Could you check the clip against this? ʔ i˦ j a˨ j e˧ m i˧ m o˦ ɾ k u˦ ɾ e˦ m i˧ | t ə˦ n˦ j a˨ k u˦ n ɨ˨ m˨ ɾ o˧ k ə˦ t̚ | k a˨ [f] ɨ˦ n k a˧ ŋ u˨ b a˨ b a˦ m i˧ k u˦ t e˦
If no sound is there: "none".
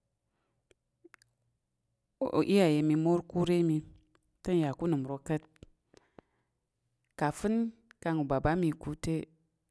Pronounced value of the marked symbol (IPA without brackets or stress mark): f